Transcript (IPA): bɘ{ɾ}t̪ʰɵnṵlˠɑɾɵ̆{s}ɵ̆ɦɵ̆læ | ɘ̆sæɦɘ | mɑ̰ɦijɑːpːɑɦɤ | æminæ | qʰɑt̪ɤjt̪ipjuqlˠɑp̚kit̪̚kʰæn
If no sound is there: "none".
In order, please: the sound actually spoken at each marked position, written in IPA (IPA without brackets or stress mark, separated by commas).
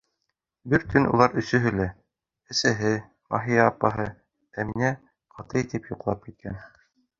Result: ɾ, s